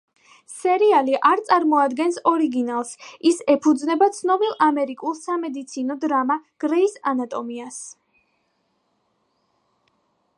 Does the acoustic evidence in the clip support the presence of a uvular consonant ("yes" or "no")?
no